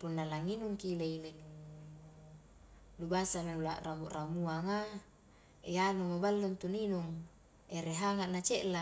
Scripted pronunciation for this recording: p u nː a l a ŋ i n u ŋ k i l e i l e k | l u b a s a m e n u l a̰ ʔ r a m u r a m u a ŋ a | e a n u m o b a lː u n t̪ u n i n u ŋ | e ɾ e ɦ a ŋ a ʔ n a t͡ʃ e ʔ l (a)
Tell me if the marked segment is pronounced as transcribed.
yes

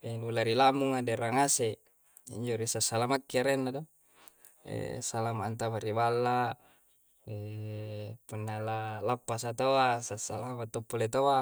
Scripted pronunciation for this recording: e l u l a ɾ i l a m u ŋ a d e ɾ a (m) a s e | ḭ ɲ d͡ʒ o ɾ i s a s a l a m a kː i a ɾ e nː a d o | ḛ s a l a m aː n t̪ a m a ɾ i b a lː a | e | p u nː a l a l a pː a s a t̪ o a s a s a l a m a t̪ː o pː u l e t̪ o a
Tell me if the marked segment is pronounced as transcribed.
no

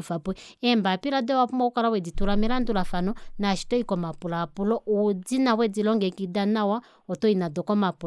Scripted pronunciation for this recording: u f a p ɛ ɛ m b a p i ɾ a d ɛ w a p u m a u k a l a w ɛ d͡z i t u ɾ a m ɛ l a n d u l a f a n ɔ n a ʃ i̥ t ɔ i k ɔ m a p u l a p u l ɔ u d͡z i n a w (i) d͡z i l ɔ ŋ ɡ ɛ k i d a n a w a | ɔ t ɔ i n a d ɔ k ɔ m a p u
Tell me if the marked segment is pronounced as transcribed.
no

